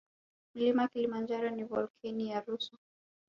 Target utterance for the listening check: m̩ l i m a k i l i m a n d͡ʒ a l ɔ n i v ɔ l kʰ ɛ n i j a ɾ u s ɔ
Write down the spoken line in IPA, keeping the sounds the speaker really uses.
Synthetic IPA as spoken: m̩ l i m a k i l i m a n d͡ʒ a ɾ ɔ n i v ɔ l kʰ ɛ n i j a ɾ u s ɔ